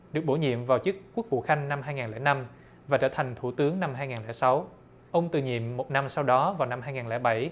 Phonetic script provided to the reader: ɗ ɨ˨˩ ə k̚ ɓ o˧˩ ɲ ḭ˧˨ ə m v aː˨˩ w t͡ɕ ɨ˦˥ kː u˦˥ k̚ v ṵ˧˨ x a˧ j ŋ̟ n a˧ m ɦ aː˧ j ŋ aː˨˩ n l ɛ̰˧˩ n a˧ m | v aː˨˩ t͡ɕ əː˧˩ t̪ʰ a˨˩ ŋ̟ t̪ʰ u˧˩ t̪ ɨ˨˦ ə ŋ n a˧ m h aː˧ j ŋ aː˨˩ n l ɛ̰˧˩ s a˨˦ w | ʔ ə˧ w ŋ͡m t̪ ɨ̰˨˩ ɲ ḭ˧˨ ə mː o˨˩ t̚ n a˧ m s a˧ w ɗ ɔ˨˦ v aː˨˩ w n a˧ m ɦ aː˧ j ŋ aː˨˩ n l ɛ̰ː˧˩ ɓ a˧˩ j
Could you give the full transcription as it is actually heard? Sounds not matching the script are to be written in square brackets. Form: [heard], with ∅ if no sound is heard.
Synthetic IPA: ɗ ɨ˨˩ ə k̚ ɓ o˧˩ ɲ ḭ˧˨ ə m v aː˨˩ w t͡ɕ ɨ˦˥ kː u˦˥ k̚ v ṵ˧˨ x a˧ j ŋ̟ n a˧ m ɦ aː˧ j ŋ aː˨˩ n l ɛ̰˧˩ n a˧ m | v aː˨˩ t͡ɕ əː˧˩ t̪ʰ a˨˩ ŋ̟ t̪ʰ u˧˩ t̪ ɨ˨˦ ə ŋ n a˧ m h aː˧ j ŋ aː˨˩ n l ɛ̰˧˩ s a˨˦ w | ʔ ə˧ w ŋ͡m t̪ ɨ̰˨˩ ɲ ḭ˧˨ ə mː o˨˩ t̚ n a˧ m s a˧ w ɗ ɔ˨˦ v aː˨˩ w n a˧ m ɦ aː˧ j ŋ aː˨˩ n l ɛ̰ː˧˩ ɓ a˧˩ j